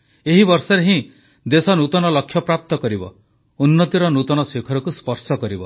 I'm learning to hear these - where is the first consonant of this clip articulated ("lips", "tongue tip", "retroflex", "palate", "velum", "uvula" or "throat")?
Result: throat